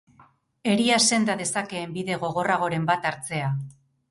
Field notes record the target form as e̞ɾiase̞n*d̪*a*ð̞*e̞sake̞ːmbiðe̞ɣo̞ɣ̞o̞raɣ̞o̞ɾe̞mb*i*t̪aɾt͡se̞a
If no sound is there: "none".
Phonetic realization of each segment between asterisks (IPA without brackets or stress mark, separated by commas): d̪, ð̞, a